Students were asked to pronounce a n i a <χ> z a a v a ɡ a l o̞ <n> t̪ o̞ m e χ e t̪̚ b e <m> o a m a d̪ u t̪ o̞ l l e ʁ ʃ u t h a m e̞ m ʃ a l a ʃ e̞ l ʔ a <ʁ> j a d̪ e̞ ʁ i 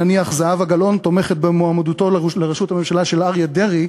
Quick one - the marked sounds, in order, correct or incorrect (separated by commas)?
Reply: correct, correct, correct, correct